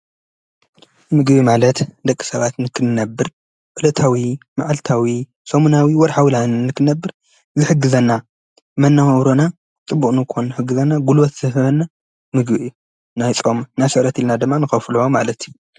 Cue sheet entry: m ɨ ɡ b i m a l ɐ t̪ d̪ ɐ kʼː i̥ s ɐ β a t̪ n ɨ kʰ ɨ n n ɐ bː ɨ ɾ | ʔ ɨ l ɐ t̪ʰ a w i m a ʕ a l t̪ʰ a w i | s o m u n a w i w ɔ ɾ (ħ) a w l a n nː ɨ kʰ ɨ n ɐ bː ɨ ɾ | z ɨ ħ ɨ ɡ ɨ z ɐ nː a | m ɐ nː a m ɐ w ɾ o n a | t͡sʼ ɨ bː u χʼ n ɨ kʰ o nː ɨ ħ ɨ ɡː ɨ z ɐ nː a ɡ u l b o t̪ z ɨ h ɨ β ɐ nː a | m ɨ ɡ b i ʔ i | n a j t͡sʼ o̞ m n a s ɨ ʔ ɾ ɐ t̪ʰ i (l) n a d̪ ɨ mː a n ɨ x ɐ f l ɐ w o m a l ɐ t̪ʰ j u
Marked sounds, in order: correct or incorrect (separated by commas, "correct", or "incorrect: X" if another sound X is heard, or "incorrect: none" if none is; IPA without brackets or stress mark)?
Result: correct, correct